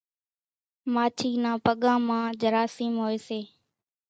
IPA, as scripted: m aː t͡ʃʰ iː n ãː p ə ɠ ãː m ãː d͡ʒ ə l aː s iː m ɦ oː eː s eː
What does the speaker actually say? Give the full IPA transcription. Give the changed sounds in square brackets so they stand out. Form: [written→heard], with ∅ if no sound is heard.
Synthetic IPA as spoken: m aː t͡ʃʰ iː n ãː p ə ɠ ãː m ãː d͡ʒ ə [l→ɾ] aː s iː m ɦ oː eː s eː